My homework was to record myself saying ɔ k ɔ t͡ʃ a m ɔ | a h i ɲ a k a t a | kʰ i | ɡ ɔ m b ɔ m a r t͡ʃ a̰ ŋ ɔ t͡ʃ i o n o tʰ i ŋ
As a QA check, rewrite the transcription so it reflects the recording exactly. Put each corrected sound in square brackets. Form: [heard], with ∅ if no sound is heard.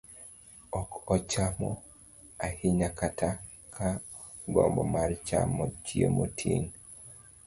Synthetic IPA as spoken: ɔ k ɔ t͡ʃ a m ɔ | a h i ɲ a k a t a | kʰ [a] | ɡ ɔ m b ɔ m a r t͡ʃ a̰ [m] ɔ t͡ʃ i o [m] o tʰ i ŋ